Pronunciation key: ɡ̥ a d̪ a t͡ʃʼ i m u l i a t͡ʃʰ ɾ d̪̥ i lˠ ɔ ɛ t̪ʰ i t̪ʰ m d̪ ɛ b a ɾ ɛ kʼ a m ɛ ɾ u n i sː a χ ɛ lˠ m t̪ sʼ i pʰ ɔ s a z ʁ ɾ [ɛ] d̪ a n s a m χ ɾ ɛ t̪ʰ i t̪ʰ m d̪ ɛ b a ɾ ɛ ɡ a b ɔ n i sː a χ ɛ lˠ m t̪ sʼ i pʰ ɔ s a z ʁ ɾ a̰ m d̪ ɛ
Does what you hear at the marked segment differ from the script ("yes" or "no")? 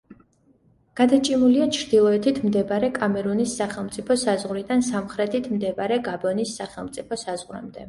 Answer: yes